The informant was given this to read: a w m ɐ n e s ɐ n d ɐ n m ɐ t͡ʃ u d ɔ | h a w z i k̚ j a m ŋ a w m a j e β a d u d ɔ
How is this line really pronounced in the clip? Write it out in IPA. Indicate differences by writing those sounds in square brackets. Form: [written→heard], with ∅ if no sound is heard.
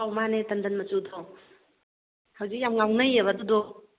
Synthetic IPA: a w m [ɐ→a] n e [s→t] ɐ n d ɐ n m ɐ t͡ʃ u d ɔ | h a w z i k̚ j a m ŋ a w [m→n] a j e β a d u d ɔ